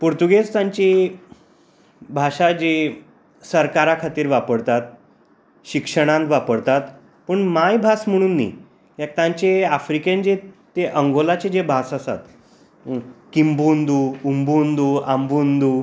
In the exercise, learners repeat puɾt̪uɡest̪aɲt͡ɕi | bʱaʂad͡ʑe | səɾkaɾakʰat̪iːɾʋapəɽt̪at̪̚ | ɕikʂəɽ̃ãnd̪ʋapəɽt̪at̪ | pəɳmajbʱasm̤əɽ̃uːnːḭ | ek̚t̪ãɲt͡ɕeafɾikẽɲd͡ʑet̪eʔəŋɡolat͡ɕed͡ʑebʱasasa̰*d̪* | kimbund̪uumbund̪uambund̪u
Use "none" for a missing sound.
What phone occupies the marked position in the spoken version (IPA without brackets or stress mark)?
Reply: t̪